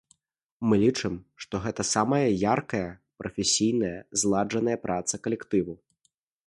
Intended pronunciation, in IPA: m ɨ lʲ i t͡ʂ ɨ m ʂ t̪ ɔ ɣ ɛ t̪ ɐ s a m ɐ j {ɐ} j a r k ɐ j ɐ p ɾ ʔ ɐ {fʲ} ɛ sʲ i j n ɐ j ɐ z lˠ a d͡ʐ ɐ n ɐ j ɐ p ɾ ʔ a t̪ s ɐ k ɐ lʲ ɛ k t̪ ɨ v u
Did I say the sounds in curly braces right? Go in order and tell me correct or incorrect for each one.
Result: correct, correct

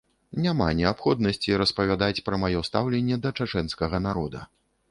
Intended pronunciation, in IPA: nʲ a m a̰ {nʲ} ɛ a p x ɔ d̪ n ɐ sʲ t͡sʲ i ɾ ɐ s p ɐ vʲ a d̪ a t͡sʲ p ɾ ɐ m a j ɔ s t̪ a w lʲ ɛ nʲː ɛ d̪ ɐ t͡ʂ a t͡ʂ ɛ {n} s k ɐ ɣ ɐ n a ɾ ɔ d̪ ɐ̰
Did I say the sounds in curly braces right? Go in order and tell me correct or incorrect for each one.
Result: correct, correct

